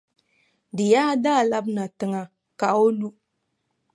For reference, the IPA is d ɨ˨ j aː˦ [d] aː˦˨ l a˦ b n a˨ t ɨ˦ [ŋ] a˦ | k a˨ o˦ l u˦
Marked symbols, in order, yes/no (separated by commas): yes, yes